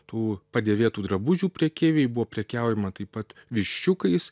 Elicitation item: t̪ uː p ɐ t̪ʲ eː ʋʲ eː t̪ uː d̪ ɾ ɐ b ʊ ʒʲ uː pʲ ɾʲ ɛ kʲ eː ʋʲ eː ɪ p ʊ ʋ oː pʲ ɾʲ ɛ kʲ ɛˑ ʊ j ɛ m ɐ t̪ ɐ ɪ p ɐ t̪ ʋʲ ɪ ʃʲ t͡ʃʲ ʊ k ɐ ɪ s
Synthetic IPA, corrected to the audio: t̪ uː p ɐ d̪ʲ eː ʋʲ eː t̪ uː d̪ ɾ ɐ b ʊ ʒʲ uː pʲ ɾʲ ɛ kʲ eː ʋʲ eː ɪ b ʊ ʋ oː pʲ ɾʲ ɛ kʲ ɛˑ ʊ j ɛ m ɐ t̪ ɐ ɪ p ɐ t̪ ʋʲ ɪ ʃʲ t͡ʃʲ ʊ k ɐ ɪ s